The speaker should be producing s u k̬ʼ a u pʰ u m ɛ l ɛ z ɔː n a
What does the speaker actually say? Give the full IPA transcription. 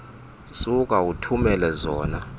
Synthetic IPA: s u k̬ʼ a u tʰ u m ɛ l ɛ z ɔː n a